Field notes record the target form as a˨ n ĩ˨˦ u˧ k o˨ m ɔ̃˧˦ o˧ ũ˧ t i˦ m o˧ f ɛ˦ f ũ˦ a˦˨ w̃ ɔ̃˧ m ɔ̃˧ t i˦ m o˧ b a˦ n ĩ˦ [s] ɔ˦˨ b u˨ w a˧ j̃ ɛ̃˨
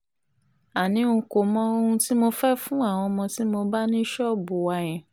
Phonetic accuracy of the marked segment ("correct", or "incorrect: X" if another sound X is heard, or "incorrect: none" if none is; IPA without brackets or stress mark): incorrect: ʃ